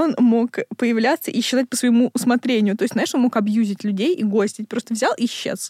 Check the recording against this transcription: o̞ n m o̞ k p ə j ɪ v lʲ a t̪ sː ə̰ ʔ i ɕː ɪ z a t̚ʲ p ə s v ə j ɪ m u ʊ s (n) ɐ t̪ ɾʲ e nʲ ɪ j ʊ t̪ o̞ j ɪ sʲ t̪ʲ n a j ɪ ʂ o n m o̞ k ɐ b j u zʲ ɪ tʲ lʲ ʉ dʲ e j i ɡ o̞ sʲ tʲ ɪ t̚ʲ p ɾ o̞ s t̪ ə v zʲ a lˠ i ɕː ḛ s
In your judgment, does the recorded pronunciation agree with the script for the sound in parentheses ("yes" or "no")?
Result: no